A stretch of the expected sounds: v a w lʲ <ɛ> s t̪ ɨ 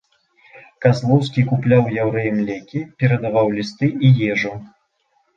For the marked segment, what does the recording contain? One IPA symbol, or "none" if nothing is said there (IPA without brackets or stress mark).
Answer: i